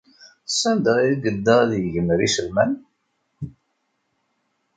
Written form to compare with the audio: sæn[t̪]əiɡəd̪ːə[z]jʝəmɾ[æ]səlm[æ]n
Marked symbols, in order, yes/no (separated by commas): no, no, no, yes